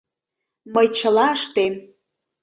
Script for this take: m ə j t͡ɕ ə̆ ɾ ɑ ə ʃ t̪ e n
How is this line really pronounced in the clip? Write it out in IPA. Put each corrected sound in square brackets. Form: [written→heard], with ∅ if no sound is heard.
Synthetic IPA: m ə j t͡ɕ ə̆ [ɾ→l] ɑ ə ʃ t̪ e [n→m]